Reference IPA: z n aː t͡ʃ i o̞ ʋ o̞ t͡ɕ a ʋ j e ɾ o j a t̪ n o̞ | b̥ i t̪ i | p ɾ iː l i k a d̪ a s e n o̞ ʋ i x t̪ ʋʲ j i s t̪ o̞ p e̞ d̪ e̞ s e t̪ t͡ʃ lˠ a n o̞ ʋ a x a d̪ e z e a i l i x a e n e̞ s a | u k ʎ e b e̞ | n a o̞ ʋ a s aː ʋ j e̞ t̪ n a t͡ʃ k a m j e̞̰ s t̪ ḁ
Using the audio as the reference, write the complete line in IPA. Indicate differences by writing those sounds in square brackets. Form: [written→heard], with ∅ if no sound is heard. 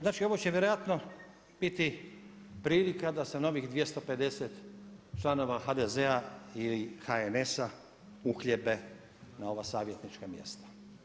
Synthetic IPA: z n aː t͡ʃ i o̞ ʋ o̞ t͡ɕ [a→e] ʋ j e ɾ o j a t̪ n o̞ | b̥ i t̪ i | p ɾ iː l i k a d̪ a s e n o̞ ʋ i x [t̪→d̪] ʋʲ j [i→e] s t̪ o̞ p e̞ d̪ e̞ s e t̪ t͡ʃ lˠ a n o̞ ʋ a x a d̪ e z e a i l i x a e n e̞ s a | u [k→x] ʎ e b e̞ | n a o̞ ʋ a s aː ʋ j e̞ t̪ n [a→i] t͡ʃ k a m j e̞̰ s t̪ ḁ

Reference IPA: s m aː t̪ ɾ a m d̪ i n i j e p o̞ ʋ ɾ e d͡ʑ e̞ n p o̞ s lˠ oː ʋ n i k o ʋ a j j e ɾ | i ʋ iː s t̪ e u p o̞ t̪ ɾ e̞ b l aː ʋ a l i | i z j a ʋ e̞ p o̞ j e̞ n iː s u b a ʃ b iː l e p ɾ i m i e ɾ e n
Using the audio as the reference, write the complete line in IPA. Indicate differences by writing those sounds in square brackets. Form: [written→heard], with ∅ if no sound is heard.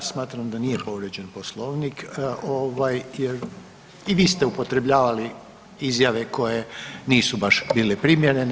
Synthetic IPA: s m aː t̪ ɾ a m d̪ [i→a] n i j e p o̞ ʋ ɾ e d͡ʑ e̞ n p o̞ s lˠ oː ʋ n i k o ʋ a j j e ɾ | i ʋ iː s t̪ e u p o̞ t̪ ɾ e̞ b [l→ʎ] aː ʋ a l i | i z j a ʋ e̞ [p→k] o̞ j e̞ n iː s u b a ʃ b iː l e p ɾ i m [i→j] e ɾ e n

